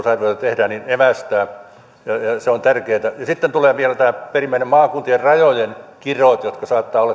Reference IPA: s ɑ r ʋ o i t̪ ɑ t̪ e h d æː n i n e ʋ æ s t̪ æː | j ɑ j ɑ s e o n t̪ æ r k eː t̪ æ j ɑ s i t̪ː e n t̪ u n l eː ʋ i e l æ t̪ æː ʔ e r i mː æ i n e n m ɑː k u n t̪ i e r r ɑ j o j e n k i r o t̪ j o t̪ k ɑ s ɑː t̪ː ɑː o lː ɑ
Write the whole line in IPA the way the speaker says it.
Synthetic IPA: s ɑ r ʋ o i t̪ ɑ t̪ e h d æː n i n e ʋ æ s t̪ æː | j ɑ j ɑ s e o n t̪ æ r k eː t̪ æ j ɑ s i t̪ː e n t̪ u l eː ʋ i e l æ t̪ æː p e r i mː æ i n e m m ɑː k u n t̪ i e r r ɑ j o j e n k i r o t̪ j o t̪ k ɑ s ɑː t̪ː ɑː o lː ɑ

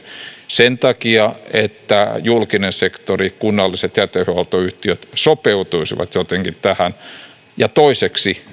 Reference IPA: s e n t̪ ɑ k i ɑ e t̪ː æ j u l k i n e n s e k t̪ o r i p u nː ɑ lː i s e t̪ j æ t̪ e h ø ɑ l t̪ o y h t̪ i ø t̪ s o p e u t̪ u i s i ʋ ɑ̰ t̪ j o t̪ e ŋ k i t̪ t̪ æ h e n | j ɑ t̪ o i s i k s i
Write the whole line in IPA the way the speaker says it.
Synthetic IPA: s e n t̪ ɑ k i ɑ e t̪ː æ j u l k i n e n s e k t̪ o r i k u nː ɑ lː i s e t̪ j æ t̪ e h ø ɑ l t̪ o y h t̪ i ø t̪ s o p e u t̪ u i s i ʋ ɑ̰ t̪ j o t̪ e ŋ k i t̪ t̪ æ h æ n | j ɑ t̪ o i s e k s i

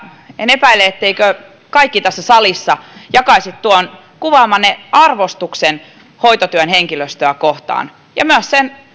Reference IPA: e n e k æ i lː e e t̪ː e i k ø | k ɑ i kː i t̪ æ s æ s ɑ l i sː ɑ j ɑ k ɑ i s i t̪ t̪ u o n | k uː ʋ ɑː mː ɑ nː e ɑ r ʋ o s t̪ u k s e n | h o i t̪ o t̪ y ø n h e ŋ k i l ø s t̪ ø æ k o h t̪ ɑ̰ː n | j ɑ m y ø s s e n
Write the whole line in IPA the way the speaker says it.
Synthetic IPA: e n e p æ i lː e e t̪ː e i k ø | k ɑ i kː i t̪ æ sː æ s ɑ l i sː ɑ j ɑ k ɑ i s i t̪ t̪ u o n | k u ʋ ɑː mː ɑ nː e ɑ r ʋ o s t̪ u k s e n | h o i t̪ o t̪ y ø n h e ŋ k i l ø s t̪ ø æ k o h t̪ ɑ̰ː n | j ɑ m y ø s s e n

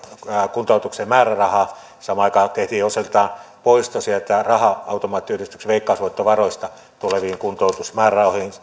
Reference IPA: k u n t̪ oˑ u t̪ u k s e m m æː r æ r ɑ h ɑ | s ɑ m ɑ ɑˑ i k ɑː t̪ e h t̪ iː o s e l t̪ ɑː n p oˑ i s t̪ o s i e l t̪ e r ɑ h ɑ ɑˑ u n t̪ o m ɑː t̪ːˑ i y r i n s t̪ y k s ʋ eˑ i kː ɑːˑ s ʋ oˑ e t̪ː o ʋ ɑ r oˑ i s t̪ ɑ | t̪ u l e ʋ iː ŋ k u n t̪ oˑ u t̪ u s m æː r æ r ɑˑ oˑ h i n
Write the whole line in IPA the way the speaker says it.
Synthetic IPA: k u n t̪ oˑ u t̪ u k s e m m æː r æ r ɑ h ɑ | s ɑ m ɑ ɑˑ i k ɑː t̪ e h t̪ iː o s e l t̪ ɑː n p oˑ i s t̪ o s i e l t̪ æ r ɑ h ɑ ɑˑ u t̪ o m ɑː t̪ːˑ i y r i s t̪ y k s ʋ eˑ i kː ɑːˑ s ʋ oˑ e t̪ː o ʋ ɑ r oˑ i s t̪ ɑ | t̪ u l e ʋ iː ŋ k u n t̪ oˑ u t̪ u s m æː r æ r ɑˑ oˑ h i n

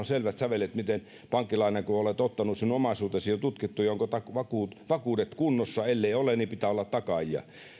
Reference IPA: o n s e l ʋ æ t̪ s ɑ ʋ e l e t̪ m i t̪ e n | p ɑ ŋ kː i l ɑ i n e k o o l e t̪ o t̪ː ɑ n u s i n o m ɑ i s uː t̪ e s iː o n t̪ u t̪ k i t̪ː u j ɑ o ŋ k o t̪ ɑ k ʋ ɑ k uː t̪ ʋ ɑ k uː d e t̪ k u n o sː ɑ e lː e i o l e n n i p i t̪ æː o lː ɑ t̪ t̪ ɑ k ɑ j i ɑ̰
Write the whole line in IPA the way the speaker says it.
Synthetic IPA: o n s e l ʋ æ t̪ s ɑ ʋ e l e t̪ m i t̪ e n | p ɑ ŋ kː i l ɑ i n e k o o l e t̪ o t̪ː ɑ n u s i n o m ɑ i s uː t̪ e s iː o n t̪ u t̪ k i t̪ː u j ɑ o ŋ k o t̪ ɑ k ʋ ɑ k uː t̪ ʋ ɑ k uː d e t̪ k u nː o sː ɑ e lː e i o l e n n i p i t̪ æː o lː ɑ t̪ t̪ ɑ k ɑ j i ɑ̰

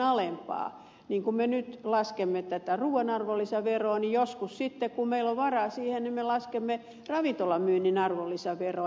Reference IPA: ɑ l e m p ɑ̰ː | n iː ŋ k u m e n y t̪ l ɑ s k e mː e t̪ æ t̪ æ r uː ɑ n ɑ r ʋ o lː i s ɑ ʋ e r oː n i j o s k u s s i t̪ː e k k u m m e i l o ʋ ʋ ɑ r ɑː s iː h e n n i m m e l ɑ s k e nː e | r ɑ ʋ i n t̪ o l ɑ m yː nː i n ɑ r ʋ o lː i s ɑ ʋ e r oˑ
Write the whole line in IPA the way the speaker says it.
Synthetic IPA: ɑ l e m p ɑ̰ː | n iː ŋ k u m e n y t̪ l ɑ s k e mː e t̪ æ t̪ æ r uː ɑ n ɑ r ʋ o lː i s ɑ ʋ e r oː n i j o s k u s s i t̪ː e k k u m m e i l o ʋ ʋ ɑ r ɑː s iː h e n n i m m e l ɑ s k e mː e | r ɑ ʋ i n t̪ o l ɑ m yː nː i n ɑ r ʋ o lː i s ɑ ʋ e r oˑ

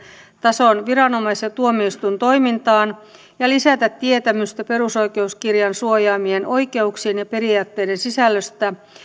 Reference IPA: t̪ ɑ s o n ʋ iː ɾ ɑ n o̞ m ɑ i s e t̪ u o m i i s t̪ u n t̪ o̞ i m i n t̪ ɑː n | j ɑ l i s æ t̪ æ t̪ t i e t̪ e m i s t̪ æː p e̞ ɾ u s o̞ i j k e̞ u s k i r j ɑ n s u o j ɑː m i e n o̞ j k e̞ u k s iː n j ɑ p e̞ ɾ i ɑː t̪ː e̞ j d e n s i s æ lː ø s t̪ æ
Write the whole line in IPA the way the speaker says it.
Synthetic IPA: t̪ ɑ s o n ʋ i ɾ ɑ n o̞ m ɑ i s e t̪ u o m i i s t̪ u n t̪ o̞ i m i n t̪ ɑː n | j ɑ l i s æ t̪ æ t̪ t i e t̪ æ m y s t̪ æ p e̞ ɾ u s o̞ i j k e̞ u s k i r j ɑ n s u o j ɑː m i e n o̞ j k e̞ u k s iː n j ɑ p e̞ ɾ i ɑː t̪ː e̞ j d e n s i s æ lː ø s t̪ æ

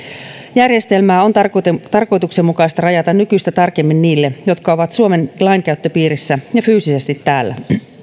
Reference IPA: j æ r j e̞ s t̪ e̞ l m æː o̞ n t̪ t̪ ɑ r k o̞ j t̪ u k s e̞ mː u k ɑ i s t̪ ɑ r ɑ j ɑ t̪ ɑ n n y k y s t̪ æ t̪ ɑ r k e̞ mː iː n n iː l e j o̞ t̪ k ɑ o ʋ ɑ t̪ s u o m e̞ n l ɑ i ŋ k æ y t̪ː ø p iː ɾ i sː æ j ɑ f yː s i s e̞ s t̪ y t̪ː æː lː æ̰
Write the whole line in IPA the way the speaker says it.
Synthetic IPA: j æ r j e̞ s t̪ e̞ l m æː o̞ n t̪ t̪ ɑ r k o̞ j t̪ u k s e̞ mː u k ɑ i s t̪ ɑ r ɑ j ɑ t̪ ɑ n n y k y s t̪ æ t̪ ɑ r k e̞ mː i n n iː lː e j o̞ t̪ k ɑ o ʋ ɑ t̪ s u o m e̞ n l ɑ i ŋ k æ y t̪ː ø p iː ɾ i sː æ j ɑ f yː s i s e̞ s t̪ i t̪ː æː lː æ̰

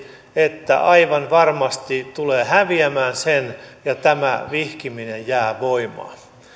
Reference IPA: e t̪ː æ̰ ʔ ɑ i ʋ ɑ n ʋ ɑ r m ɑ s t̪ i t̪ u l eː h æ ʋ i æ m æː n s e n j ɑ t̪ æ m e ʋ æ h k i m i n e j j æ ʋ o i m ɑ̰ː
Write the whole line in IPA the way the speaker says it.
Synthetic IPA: e t̪ː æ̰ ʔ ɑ i ʋ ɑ n ʋ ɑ r m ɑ s t̪ i t̪ u l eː h æ ʋ i æ m æː n s e n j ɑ t̪ æ m æ ʋ i h k i m i n e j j æː ʋ o i m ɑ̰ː

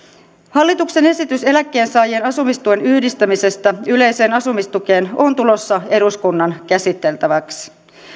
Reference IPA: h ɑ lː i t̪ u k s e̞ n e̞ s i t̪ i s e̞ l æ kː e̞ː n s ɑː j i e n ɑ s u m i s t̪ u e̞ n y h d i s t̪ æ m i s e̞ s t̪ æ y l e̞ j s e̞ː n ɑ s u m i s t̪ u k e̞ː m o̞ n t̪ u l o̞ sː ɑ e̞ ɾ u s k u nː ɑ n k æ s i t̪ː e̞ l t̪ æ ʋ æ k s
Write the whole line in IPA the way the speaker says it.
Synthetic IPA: h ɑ lː i t̪ u k s e̞ n e̞ s i t̪ y s e̞ l æ kː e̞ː n s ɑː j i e n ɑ s u m i s t̪ u e̞ n y h d i s t̪ æ m i s e̞ s t̪ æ y l e̞ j s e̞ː n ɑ s u m i s t̪ u k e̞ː n o̞ n t̪ u l o̞ sː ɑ e̞ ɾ u s k u nː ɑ n k æ s i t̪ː e̞ l t̪ æ ʋ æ k s

